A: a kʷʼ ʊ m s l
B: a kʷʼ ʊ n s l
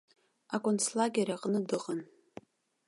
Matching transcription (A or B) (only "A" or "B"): B